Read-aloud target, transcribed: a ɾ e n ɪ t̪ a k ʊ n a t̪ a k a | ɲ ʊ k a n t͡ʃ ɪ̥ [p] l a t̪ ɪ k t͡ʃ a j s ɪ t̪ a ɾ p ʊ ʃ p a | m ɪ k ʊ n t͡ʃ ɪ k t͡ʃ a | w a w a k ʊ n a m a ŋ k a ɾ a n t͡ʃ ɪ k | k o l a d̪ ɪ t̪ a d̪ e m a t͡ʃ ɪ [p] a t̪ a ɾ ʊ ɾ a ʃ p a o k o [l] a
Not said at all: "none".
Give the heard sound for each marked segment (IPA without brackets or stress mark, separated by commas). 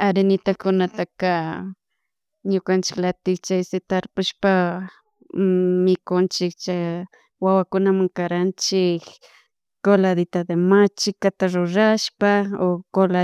k, k, l